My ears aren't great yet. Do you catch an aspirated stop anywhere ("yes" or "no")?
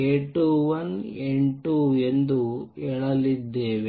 no